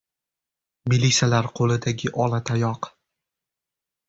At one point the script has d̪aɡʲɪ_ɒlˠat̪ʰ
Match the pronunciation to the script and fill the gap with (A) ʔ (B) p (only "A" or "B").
A